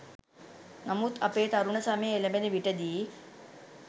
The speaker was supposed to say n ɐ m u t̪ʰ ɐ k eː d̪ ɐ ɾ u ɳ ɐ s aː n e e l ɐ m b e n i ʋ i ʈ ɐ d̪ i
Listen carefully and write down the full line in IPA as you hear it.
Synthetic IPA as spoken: n ɐ m u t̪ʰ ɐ p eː t̪ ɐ ɾ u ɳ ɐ s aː m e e l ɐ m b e n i ʋ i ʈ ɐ d̪ i